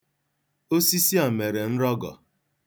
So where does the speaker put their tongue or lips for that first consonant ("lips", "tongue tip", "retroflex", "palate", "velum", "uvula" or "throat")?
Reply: tongue tip